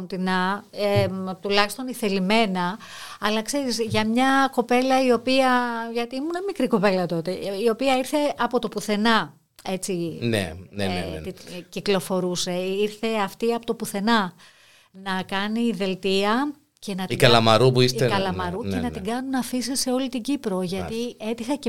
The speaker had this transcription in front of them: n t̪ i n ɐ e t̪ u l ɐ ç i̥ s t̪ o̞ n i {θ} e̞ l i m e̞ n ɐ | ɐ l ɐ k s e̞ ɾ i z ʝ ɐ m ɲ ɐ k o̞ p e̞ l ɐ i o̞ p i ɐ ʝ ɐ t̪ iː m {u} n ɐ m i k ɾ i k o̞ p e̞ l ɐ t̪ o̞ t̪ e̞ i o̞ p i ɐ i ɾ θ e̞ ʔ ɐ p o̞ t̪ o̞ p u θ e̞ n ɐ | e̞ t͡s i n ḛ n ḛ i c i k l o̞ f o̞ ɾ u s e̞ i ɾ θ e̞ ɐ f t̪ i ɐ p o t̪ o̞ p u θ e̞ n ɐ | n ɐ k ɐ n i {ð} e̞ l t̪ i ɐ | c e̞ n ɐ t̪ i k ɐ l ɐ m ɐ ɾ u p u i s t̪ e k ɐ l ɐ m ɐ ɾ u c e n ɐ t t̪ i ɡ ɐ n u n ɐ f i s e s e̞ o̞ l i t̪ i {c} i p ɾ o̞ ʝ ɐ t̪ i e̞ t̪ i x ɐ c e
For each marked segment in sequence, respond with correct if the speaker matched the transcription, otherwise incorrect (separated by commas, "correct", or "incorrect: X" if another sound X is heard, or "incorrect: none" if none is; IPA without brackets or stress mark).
correct, correct, correct, incorrect: ɟ